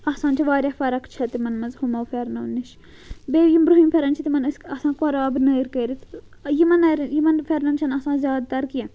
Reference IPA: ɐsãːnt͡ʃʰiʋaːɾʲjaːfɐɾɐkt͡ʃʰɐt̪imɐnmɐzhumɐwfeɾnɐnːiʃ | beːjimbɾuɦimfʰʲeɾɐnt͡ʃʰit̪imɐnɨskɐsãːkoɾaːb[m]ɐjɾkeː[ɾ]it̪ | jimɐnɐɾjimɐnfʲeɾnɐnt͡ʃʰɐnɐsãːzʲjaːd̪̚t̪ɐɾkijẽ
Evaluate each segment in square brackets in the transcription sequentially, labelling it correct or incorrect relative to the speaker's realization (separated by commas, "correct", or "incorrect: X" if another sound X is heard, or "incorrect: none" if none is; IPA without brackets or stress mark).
incorrect: n, correct